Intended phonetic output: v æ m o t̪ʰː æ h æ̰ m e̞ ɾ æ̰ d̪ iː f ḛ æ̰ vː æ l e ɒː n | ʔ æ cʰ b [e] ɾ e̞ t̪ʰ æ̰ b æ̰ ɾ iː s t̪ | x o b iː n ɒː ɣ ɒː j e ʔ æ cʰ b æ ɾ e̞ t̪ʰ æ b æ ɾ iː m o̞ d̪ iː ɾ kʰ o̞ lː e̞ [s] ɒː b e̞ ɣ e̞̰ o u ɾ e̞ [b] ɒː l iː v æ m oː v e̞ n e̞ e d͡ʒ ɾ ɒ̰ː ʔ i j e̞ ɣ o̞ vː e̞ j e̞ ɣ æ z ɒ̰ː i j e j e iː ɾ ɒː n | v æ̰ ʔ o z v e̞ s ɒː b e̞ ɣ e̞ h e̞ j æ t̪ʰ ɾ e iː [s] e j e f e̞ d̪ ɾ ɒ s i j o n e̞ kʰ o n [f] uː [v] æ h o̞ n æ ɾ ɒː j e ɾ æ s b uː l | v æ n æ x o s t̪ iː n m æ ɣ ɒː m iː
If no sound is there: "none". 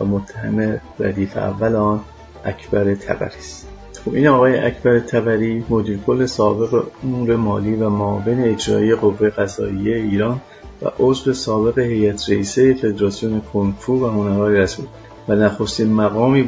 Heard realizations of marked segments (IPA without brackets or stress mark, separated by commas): æ, s, m, s, f, v